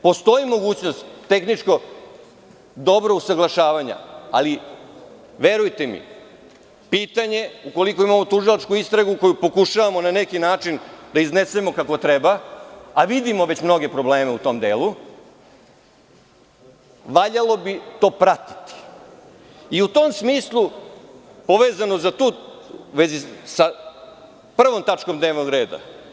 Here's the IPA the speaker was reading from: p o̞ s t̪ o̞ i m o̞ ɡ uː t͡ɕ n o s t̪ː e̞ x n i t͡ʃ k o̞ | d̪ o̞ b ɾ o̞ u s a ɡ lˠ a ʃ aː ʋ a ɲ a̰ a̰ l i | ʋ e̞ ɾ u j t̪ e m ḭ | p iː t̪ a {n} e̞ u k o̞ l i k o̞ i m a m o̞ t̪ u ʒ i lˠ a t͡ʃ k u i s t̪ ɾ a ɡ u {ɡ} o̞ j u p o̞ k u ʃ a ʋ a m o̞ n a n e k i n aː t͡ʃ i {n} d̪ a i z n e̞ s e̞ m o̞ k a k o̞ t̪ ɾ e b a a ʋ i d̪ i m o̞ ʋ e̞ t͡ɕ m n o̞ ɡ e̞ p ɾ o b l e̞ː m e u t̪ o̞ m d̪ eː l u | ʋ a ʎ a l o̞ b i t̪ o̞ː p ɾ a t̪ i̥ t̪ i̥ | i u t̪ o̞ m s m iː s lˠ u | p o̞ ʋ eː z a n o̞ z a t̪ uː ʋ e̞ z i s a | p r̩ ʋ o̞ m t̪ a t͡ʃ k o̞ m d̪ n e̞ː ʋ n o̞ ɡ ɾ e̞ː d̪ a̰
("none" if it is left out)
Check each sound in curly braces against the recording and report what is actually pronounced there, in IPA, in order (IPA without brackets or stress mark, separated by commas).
ɲ, k, n